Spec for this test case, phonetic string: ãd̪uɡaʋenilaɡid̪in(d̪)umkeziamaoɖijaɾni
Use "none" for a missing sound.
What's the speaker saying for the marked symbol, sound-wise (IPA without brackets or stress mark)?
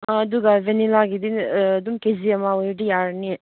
d̪